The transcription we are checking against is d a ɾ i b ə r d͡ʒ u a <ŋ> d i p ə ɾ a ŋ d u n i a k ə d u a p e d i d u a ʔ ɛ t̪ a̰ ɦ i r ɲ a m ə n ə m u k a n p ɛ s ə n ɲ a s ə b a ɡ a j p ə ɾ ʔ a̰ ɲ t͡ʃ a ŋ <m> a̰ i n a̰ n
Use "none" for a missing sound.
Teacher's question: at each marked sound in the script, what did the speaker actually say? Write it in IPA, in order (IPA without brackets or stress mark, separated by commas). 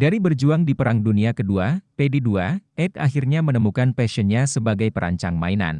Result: ŋ, m